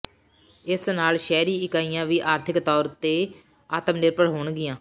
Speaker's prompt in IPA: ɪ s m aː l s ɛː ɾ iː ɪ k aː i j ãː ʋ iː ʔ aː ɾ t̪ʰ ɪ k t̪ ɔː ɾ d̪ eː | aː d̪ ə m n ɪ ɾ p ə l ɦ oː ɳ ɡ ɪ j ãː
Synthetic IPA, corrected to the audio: ɪ s n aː l ʃ ɛː ɾ iː ɪ k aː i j ãː ʋ iː ʔ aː ɾ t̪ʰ ɪ k t̪ ɔː ɾ t̪ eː | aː t̪ ə m n ɪ ɾ p ə ɽ ɦ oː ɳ ɡ ɪ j ãː